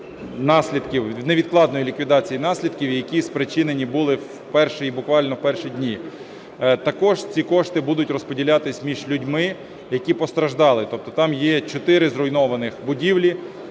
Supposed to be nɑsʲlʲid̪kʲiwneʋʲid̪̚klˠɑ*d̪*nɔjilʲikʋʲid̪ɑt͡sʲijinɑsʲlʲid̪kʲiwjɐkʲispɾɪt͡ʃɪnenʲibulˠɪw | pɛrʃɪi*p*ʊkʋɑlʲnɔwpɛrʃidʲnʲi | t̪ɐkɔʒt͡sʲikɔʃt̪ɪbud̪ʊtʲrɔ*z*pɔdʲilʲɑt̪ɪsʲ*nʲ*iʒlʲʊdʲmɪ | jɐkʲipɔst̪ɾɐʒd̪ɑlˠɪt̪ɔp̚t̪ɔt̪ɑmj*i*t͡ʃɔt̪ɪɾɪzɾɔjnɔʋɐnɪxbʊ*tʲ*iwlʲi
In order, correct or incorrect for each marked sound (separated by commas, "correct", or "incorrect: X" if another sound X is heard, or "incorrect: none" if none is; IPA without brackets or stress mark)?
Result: correct, incorrect: b, incorrect: s, incorrect: mʲ, incorrect: ɛ, incorrect: dʲ